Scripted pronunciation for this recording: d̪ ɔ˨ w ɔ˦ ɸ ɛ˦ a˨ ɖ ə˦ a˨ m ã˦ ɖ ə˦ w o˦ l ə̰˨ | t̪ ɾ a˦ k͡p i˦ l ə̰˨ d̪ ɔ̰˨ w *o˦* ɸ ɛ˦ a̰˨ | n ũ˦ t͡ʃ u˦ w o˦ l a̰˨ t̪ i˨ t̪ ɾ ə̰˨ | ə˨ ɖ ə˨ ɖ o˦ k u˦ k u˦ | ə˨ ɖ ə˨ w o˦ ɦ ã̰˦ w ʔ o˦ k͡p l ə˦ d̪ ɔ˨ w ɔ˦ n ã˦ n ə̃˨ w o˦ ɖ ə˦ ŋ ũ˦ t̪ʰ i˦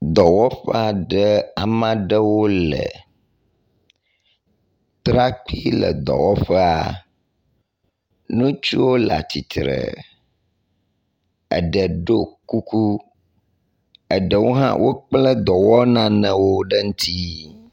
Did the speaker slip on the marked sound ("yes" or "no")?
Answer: yes